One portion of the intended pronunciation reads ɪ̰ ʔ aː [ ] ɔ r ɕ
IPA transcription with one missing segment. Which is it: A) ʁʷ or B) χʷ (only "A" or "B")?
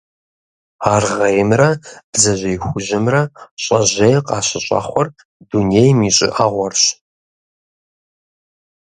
A